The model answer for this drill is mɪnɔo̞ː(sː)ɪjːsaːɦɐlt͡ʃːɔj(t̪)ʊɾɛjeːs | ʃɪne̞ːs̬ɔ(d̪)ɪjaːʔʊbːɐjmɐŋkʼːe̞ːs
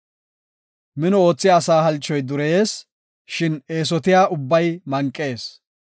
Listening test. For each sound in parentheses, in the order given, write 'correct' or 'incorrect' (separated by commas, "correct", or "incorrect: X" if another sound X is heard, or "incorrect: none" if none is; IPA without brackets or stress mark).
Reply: incorrect: t͡sː, incorrect: d̪, incorrect: t̪